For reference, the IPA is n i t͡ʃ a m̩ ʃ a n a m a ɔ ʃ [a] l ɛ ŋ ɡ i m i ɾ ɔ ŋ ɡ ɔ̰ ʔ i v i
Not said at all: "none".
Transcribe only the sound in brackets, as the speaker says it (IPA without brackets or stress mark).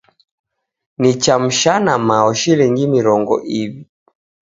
i